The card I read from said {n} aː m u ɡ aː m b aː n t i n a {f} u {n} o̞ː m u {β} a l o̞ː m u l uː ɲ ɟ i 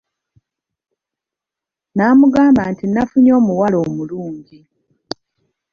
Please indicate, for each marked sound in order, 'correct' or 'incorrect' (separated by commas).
correct, correct, incorrect, incorrect